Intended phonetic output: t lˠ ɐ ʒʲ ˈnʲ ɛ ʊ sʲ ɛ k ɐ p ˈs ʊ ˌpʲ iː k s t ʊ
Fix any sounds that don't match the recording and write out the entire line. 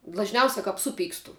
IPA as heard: d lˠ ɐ ʒʲ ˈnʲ ɛ ʊ sʲ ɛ k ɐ p ˈs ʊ ˌpʲ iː k s t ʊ